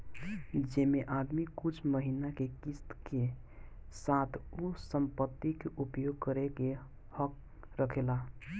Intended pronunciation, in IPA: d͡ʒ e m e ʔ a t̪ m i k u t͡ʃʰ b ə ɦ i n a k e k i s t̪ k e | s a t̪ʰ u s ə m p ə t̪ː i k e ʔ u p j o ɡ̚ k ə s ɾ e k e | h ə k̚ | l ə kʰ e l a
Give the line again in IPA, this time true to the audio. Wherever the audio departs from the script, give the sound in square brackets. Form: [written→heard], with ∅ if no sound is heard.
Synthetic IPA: d͡ʒ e m e ʔ a [t̪→d̪] m i k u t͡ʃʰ [b→m] ə ɦ i n a k e k i s t̪ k e | s a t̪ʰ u s ə m p ə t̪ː i k e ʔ u p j o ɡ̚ k ə [s→∅] ɾ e k e | h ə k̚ | [l→ɾ] ə kʰ e l a